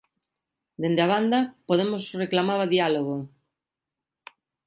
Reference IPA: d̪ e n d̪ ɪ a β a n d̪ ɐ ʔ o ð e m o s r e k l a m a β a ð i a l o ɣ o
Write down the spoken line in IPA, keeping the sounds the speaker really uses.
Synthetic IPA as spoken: d̪ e n d̪ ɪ a β a n d̪ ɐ p o ð e m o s r e k l a m a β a ð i a l o ɣ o